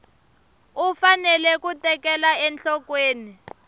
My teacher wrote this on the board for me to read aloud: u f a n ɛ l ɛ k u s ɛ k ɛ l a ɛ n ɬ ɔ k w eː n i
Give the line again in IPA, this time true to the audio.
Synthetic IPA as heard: u f a n ɛ l ɛ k u t ɛ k ɛ l a ɛ n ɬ ɔ k w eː n i